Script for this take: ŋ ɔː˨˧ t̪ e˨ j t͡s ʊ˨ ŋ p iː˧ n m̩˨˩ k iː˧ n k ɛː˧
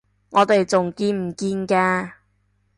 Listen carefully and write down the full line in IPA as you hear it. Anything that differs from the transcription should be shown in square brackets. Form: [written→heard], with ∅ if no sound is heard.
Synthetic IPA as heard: ŋ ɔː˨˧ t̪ e˨ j t͡s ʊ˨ ŋ [p→k] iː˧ n m̩˨˩ k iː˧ n k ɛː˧